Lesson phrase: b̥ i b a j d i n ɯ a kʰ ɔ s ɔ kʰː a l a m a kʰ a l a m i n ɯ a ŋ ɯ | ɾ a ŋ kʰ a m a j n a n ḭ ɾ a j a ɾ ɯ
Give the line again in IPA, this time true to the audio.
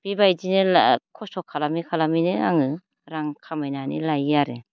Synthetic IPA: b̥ i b a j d i n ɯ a kʰ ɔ s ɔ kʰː a l a m i kʰ a l a m i n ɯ a ŋ ɯ | ɾ a ŋ kʰ a m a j n a n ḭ l a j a ɾ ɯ